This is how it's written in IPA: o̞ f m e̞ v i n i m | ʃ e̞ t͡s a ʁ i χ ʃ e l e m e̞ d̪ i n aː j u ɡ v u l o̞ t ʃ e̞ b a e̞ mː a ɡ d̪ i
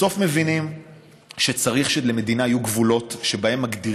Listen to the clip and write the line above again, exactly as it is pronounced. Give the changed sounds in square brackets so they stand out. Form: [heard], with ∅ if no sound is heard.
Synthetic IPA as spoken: o̞ f m e̞ v i n i m | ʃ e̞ t͡s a ʁ i χ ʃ e l e m e̞ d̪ i n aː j u ɡ v u l o̞ t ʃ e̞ b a e̞ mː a ɡ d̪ i